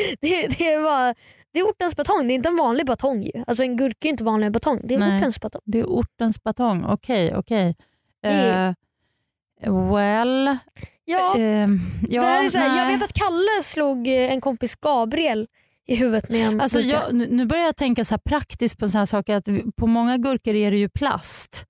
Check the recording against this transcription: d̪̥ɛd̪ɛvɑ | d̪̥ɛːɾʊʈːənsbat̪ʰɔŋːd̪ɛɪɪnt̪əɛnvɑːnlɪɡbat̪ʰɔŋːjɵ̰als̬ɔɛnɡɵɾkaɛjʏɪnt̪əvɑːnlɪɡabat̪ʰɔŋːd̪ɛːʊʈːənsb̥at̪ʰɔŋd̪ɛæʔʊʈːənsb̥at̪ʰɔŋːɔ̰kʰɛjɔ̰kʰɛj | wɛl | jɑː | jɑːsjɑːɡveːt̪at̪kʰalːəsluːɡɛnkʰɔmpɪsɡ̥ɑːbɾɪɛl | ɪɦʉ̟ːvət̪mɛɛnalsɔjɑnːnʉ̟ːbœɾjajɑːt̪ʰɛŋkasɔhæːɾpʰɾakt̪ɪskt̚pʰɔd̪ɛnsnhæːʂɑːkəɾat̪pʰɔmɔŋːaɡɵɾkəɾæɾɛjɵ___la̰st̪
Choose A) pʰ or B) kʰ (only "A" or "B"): A